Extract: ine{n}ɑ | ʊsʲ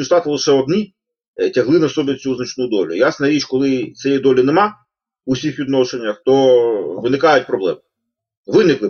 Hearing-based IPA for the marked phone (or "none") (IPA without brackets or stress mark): m